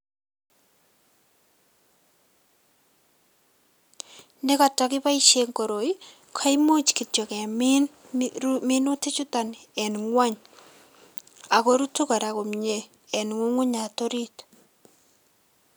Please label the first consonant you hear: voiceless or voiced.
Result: voiced